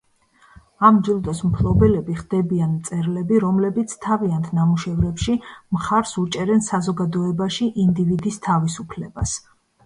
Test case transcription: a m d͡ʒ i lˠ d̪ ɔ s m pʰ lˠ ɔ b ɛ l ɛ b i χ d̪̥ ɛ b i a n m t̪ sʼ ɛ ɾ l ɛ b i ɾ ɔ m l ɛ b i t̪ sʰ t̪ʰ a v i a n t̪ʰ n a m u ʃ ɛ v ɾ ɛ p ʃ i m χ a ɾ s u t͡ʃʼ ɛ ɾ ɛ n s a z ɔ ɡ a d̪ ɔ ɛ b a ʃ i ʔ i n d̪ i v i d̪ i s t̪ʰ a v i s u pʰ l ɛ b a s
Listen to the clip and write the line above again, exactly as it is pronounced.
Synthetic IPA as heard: a m d͡ʒ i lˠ d̪ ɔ s m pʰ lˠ ɔ b ɛ l ɛ b i χ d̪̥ ɛ b i a n m t̪ sʼ ɛ ɾ l ɛ b i ɾ ɔ m l ɛ b i t̪ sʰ t̪ʰ a v i a n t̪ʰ n a m u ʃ ɛ v ɾ ɛ p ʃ i m χ a ɾ s u t͡ʃʼ ɛ ɾ ɛ n s a z ɔ ɡ a d̪ ɔ ɛ b a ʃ i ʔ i n d̪ i v i d̪ i s t̪ʰ a v i s u pʰ l ɛ b a s